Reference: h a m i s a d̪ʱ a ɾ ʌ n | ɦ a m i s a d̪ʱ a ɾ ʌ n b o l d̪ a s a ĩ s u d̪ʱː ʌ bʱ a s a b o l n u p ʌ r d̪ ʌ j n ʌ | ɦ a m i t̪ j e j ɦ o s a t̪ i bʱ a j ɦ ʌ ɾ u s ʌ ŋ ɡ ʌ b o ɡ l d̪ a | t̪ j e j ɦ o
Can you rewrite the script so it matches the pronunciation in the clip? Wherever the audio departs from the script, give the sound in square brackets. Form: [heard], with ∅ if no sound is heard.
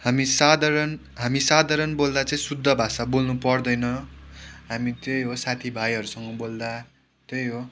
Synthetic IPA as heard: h a m i s a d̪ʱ a ɾ ʌ n | ɦ a m i s a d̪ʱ a ɾ ʌ n b o l d̪ a [t͡s] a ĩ s u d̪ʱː ʌ bʱ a s a b o l n u p ʌ r d̪ ʌ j n ʌ | ɦ a m i t̪ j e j ɦ o s a [t̪ʰ] i bʱ a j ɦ ʌ ɾ u s ʌ ŋ ɡ ʌ b o [∅] l d̪ a | t̪ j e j ɦ o